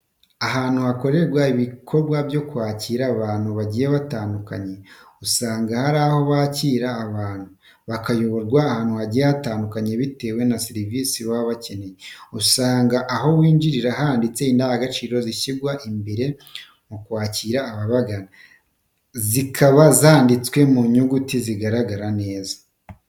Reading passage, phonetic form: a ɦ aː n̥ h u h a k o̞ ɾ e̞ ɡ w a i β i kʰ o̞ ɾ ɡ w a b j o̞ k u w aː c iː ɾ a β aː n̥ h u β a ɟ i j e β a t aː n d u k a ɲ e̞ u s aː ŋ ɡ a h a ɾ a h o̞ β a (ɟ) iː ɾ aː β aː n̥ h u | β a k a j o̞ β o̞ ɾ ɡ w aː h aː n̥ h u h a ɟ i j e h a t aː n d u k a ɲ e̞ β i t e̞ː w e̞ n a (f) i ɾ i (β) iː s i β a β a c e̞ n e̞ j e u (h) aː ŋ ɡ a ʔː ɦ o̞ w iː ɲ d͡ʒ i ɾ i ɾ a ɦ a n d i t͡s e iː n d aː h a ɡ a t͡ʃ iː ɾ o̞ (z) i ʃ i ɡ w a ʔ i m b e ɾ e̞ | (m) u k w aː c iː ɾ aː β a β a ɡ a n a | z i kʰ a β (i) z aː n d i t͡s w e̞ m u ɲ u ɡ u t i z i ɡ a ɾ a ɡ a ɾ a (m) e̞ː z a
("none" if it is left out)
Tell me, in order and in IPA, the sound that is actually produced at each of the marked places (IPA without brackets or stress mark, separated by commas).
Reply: c, s, v, s, z, m, a, n